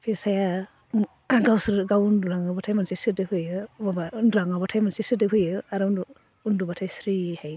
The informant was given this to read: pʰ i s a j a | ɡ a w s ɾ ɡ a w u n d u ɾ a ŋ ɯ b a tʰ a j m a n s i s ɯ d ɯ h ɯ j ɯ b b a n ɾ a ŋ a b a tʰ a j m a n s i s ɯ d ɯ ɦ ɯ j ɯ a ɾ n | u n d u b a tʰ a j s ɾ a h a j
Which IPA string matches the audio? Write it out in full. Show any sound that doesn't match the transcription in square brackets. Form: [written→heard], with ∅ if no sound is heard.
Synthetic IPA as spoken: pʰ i s a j a | ɡ a w s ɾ ɡ a w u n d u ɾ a ŋ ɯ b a tʰ a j m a n s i s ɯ d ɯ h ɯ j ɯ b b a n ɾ a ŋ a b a tʰ a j m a n s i s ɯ d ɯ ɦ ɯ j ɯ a ɾ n | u n d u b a tʰ a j s ɾ [a→i] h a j